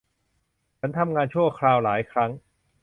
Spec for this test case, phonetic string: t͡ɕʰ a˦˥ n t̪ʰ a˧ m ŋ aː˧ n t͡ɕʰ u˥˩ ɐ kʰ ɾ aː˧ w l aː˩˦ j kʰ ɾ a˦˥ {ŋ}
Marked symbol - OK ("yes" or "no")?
yes